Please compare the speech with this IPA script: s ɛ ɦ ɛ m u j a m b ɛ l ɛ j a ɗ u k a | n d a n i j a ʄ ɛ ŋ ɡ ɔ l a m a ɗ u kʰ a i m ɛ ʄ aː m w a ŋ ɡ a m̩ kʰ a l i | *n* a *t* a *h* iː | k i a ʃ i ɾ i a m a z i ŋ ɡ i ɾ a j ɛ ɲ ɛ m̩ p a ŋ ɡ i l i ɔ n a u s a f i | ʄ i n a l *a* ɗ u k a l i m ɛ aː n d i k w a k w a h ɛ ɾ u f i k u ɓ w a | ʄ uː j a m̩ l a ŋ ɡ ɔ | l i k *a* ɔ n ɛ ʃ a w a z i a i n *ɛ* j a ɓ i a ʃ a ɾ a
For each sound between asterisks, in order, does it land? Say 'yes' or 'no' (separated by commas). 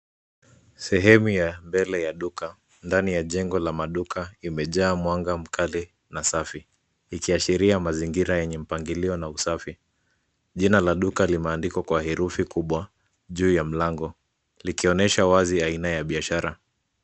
yes, no, no, yes, no, no